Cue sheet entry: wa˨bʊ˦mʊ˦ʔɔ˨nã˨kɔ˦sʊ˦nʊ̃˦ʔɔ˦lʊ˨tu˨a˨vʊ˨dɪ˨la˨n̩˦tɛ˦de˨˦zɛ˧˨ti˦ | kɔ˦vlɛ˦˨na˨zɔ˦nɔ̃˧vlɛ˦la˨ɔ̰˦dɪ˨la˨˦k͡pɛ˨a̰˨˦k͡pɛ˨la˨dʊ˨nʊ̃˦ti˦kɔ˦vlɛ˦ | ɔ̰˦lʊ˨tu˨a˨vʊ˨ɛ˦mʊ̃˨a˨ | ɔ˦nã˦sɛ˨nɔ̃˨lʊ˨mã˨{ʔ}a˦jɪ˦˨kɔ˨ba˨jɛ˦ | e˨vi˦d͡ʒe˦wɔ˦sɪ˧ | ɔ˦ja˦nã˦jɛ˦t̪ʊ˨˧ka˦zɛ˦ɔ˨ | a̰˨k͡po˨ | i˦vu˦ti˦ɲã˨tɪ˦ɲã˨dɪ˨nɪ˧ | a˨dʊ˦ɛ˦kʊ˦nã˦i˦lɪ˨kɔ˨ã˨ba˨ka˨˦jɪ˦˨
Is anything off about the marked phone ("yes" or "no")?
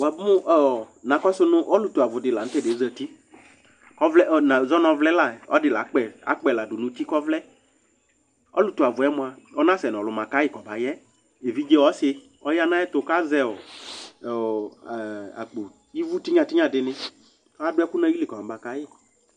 yes